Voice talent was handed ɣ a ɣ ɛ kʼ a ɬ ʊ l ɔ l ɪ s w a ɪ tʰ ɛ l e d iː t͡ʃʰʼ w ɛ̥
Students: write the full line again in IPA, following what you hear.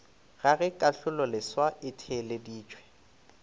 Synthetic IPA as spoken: ɣ a ɣ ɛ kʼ a ɬ ʊ l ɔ l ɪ s w a ɪ tʰ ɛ l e d iː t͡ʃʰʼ w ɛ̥